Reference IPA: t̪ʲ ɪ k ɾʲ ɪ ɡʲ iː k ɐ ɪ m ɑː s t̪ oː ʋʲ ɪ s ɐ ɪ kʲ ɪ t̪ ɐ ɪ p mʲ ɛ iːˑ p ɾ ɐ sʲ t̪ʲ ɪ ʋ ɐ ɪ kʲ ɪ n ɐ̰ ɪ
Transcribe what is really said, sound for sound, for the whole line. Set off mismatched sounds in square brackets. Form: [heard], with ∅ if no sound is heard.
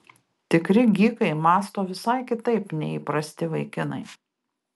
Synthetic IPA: t̪ʲ ɪ k ɾʲ ɪ ɡʲ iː k ɐ ɪ m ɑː s t̪ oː ʋʲ ɪ s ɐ ɪ kʲ ɪ t̪ ɐ ɪ p [nʲ] ɛ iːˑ p ɾ ɐ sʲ t̪ʲ ɪ ʋ ɐ ɪ kʲ ɪ n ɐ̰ ɪ